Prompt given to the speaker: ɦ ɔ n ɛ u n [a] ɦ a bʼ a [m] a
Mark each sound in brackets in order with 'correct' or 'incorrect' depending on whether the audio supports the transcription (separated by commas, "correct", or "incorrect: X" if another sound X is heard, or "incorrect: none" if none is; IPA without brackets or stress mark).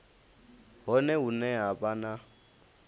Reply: incorrect: ɛ, incorrect: n